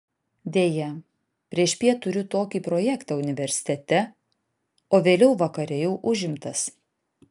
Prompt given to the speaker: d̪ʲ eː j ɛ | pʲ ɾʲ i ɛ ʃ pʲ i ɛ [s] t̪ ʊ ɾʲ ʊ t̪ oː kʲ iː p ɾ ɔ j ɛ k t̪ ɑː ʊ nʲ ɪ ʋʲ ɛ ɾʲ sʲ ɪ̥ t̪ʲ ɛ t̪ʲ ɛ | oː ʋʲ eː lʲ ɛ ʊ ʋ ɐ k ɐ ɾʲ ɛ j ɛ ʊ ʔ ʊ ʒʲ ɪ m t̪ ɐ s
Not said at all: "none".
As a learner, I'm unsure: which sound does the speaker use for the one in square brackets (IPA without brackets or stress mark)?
none